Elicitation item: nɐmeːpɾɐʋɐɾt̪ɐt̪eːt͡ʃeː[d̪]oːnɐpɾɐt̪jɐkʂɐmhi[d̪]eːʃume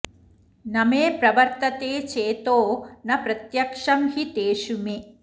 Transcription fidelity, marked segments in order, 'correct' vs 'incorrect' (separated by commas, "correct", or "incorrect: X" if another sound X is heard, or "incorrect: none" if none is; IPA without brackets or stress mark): incorrect: t̪, incorrect: t̪